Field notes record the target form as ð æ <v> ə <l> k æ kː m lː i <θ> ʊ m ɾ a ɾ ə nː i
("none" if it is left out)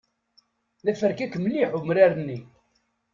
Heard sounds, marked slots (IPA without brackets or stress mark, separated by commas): f, ɾ, ħ